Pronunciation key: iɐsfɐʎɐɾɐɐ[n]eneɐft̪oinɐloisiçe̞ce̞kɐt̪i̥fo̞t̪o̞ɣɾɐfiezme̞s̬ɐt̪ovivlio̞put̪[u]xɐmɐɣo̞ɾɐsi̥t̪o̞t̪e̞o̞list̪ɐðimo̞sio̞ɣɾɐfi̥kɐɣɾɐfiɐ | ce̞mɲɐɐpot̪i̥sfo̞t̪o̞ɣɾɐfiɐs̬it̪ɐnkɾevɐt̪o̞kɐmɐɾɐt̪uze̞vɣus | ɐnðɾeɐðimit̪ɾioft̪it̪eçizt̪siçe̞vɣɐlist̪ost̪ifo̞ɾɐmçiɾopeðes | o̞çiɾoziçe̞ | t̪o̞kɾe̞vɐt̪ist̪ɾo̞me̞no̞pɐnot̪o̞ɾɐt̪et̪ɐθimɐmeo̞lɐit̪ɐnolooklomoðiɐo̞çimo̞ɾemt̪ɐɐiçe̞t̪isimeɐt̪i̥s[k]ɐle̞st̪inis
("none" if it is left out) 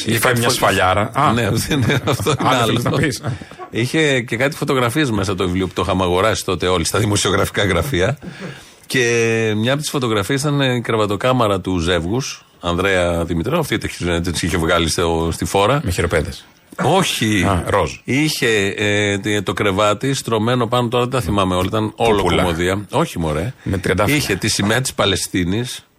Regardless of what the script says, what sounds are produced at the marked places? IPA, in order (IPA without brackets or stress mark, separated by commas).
n, o, p